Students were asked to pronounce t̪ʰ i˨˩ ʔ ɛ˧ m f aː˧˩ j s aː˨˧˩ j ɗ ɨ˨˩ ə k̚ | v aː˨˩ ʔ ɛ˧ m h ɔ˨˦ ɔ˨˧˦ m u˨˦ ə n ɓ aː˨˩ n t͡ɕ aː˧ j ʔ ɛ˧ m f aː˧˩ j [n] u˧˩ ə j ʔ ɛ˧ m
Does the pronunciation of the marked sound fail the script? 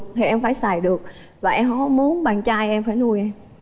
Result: no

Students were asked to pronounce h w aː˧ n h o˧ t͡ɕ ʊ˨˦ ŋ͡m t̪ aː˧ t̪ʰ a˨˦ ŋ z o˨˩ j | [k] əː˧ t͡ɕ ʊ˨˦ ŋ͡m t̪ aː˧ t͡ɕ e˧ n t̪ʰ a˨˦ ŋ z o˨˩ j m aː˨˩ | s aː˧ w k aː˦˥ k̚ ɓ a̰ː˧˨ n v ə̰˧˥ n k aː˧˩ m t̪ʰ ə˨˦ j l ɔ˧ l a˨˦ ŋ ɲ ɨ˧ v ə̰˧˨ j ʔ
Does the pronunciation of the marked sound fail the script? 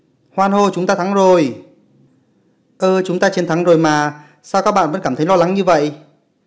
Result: yes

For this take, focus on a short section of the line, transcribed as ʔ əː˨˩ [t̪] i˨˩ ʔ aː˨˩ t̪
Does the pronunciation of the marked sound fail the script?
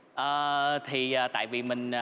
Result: yes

